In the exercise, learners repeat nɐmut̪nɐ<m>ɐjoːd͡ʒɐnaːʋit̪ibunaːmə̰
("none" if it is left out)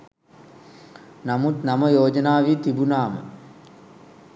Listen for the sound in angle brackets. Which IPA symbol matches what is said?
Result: m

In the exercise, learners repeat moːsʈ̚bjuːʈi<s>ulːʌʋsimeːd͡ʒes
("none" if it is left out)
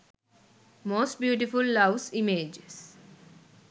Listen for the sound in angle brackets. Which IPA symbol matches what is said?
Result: f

